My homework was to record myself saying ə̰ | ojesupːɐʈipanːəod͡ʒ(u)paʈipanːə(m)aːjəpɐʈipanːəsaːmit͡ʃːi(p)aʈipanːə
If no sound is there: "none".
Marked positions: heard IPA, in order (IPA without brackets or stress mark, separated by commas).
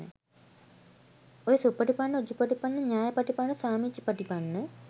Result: u, ɲ, p